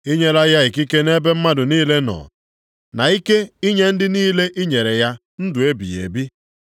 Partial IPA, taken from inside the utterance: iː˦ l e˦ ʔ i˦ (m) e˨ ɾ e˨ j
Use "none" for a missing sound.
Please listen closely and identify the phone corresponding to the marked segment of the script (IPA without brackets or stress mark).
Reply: ɲ